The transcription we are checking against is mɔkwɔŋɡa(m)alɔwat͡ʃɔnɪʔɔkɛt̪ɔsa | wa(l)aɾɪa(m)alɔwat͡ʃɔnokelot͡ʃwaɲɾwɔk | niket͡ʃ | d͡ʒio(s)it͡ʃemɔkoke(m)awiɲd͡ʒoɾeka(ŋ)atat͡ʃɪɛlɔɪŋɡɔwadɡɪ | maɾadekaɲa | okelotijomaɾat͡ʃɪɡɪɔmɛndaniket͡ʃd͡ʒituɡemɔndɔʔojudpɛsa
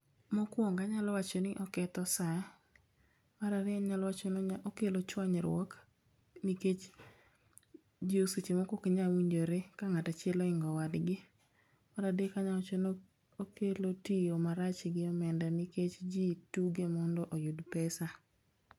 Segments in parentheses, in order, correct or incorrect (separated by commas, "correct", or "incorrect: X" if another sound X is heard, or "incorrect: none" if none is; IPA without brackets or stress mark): incorrect: ɲ, incorrect: ɾ, incorrect: ɲ, correct, incorrect: ɲ, correct